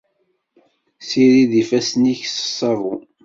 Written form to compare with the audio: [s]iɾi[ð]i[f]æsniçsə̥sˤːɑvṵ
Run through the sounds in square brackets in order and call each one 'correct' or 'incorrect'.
correct, correct, correct

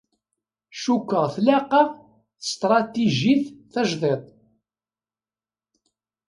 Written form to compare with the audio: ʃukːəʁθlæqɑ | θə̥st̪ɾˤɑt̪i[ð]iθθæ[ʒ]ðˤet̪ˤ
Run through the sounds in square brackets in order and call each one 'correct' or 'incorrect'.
incorrect, correct

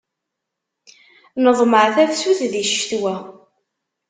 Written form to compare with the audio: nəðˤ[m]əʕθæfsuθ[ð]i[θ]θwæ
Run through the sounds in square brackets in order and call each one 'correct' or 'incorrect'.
correct, correct, incorrect

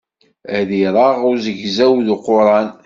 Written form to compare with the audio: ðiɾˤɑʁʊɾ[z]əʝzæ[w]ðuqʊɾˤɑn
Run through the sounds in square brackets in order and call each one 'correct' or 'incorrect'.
correct, correct

